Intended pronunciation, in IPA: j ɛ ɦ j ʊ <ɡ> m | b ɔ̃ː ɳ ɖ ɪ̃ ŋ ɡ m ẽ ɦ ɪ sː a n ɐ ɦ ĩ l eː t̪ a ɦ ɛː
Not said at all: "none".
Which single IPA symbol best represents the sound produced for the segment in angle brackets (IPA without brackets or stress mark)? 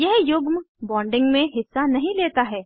ɡ